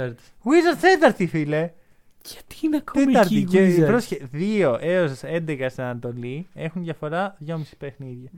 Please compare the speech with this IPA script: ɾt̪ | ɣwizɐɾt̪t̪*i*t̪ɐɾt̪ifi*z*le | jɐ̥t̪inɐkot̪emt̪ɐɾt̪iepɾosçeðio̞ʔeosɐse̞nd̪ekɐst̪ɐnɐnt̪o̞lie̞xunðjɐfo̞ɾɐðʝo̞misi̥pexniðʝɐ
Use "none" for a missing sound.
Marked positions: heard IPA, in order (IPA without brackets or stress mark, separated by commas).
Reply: e, none